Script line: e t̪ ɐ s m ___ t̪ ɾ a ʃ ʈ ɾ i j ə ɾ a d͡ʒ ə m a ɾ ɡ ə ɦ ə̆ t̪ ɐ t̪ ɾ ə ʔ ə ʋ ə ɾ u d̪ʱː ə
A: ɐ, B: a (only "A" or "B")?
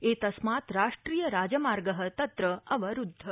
B